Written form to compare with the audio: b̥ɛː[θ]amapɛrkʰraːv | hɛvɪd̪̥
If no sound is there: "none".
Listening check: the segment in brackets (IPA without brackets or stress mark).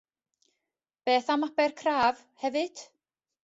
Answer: θ